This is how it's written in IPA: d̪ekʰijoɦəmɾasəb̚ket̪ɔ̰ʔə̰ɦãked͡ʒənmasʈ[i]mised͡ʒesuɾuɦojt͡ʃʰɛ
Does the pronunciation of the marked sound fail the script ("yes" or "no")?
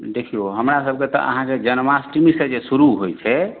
no